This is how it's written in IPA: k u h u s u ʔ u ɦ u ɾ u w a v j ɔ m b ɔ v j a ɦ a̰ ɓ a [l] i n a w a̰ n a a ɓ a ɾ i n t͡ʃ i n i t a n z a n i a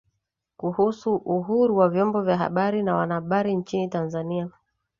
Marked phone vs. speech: incorrect: ɾ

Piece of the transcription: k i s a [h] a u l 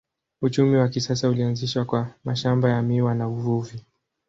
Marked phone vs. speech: incorrect: s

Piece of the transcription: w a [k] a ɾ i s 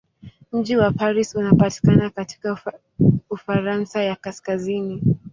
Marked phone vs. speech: incorrect: p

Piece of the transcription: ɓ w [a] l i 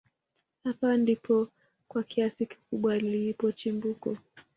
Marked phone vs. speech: correct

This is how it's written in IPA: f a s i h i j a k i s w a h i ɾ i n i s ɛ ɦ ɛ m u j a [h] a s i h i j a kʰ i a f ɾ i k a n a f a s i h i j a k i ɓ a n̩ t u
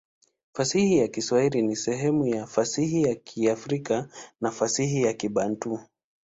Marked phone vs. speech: incorrect: f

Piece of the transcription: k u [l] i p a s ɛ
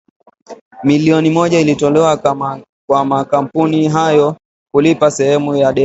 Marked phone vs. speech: correct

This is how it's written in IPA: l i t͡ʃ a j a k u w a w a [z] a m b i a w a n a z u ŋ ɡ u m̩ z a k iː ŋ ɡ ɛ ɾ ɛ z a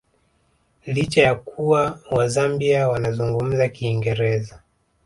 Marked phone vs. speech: correct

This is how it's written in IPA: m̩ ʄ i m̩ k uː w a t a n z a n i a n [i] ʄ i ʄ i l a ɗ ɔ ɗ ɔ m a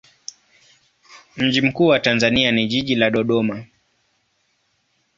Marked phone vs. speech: correct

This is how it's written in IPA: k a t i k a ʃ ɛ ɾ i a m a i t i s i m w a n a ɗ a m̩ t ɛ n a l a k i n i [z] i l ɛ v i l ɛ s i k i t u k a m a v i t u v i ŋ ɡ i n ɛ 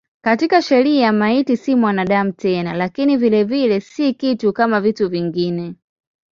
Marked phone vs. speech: incorrect: v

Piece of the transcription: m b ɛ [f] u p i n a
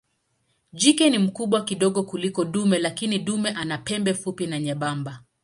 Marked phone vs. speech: correct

